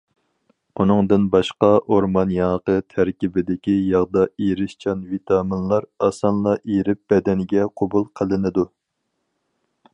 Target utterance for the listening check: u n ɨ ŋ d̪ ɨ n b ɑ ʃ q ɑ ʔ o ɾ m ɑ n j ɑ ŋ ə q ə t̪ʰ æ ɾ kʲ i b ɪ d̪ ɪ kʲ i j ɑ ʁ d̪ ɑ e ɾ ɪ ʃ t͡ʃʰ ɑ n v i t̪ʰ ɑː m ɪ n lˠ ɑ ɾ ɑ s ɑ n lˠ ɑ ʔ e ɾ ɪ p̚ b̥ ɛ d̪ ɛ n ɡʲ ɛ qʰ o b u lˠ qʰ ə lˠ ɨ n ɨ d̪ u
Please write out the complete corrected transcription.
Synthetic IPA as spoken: u n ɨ ŋ d̪ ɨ n b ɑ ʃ q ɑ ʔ o ɾ m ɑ n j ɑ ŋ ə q ə t̪ʰ æ ɾ kʲ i b ɪ d̪ ɪ kʲ i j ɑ ʁ d̪ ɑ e ɾ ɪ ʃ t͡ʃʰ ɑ n v i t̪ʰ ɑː m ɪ n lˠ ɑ ɾ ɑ s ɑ n lˠ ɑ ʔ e ɾ ɪ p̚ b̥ ɛ d̪ ɛ n ɡʲ ɛ qʰ o b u lˠ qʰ ə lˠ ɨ n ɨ d̪ u

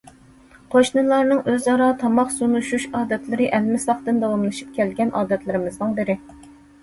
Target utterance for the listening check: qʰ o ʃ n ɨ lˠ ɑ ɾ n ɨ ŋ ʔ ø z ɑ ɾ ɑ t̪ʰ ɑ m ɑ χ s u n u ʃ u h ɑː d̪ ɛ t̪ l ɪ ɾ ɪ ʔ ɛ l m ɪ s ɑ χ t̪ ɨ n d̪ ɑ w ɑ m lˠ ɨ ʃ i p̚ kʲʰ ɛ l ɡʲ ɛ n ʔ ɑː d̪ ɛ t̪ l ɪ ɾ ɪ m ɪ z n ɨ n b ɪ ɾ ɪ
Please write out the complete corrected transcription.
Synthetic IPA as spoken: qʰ o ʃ n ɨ lˠ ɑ ɾ n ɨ ŋ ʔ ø z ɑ ɾ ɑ t̪ʰ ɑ m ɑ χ s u n u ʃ u ʃ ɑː d̪ ɛ t̪ l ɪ ɾ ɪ ʔ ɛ l m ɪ s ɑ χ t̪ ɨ n d̪ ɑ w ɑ m lˠ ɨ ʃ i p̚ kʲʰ ɛ l ɡʲ ɛ n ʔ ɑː d̪ ɛ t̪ l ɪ ɾ ɪ m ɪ z n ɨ ŋ b ɪ ɾ ɪ

